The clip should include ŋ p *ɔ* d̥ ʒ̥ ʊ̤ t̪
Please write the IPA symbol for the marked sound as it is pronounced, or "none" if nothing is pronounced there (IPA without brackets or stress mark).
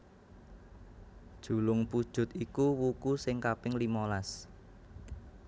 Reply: u